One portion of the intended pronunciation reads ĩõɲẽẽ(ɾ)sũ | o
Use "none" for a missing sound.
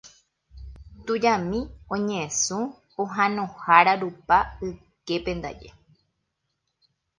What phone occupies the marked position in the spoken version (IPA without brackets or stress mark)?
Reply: none